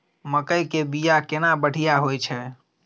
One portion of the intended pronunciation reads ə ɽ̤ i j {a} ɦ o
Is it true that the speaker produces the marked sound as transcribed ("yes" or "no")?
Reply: yes